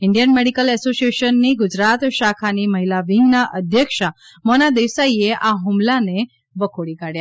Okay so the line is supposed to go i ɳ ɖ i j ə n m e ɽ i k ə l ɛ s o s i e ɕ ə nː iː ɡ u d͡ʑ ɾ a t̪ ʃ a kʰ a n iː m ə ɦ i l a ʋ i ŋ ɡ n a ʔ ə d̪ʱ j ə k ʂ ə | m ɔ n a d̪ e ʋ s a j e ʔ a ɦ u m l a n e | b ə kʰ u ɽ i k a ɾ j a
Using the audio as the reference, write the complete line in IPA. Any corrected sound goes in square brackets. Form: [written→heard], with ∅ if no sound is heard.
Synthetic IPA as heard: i ɳ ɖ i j ə n m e ɽ i k ə l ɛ s o s i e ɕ ə nː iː ɡ u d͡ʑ ɾ a t̪ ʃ a kʰ a n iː m ə ɦ i l a ʋ i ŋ ɡ n a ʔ ə d̪ʱ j ə k ʂ [ə→a] | m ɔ n a d̪ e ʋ s a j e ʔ a ɦ u m l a n e | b ə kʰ [u→o] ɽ i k a [ɾ→ɽ] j a